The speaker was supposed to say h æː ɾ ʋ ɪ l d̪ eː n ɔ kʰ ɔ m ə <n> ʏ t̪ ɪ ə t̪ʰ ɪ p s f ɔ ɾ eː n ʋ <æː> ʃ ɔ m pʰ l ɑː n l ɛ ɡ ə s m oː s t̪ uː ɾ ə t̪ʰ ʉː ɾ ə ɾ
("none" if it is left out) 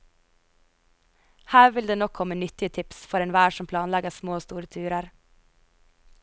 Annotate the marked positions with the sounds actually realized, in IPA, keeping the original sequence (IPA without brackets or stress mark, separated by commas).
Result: n, æː